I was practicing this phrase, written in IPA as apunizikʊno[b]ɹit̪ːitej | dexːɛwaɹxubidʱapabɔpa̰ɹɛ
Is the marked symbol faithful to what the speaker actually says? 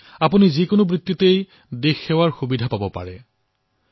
yes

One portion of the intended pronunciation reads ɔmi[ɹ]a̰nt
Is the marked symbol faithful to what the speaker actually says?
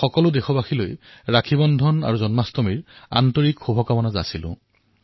yes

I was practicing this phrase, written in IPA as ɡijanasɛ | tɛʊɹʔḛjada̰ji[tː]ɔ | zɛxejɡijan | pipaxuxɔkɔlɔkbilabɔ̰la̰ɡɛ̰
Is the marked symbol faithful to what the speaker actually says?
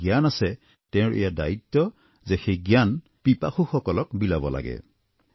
yes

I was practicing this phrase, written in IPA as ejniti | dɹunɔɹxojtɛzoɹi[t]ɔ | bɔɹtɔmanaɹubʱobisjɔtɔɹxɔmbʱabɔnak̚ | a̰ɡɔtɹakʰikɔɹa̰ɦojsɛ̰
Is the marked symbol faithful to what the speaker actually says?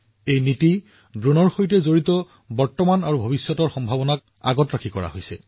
yes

